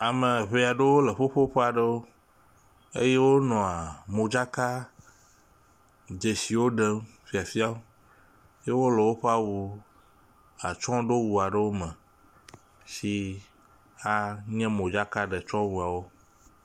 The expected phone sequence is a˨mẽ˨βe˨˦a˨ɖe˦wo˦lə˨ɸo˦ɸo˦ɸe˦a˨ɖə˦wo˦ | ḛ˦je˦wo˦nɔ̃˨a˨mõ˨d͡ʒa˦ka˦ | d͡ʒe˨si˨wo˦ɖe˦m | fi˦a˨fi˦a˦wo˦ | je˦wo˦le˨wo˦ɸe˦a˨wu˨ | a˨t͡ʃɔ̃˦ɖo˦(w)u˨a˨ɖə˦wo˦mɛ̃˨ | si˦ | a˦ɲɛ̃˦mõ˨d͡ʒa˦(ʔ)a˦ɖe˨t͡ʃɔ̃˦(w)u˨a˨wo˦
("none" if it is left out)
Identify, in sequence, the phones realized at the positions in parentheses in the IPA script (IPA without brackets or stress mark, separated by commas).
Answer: w, k, w